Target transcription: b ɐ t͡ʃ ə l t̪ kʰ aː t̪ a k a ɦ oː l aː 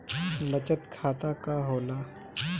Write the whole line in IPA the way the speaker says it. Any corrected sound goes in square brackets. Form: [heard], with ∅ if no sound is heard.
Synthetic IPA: b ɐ t͡ʃ ə [∅] t̪ kʰ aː t̪ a k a ɦ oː l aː